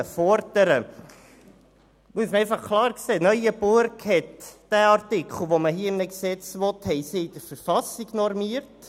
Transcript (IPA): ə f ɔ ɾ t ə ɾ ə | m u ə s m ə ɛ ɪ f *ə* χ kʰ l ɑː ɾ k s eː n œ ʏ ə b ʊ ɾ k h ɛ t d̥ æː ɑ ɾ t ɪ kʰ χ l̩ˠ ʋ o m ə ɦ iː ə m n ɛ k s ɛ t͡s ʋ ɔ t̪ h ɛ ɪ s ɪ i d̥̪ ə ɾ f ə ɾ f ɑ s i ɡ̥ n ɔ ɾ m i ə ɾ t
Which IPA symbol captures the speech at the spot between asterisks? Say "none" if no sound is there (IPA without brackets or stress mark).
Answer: ɑ